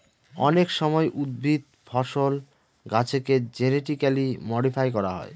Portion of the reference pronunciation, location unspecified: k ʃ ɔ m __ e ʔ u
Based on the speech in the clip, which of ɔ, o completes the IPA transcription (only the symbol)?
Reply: ɔ